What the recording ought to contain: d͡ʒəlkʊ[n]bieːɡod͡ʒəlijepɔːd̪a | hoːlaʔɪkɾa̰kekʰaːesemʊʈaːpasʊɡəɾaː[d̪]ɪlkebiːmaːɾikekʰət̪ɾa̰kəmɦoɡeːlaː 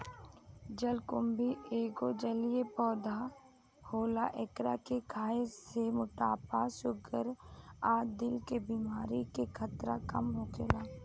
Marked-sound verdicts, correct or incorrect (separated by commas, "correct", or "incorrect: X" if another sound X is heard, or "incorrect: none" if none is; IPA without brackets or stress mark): incorrect: m, correct